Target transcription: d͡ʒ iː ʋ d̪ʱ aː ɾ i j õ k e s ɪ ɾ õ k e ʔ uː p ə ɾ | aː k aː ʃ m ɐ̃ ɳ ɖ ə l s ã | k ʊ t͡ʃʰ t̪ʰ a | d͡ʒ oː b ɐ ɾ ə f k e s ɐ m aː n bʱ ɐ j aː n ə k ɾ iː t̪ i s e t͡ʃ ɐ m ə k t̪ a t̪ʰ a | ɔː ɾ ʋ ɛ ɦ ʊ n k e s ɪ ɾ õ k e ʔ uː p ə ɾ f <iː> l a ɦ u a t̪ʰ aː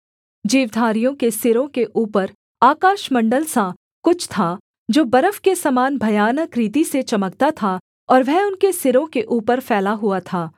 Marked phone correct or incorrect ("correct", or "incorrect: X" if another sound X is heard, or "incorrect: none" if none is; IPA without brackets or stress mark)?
incorrect: ɛː